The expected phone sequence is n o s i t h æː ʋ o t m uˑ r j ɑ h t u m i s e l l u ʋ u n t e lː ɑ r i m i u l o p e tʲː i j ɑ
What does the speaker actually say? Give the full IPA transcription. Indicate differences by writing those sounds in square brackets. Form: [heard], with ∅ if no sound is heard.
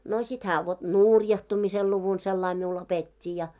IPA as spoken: n o s i t h æː ʋ o t [n] uˑ r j ɑ h t u m i s e l l u ʋ u n [s] e lː ɑ [∅] i m i u l o p e tʲː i j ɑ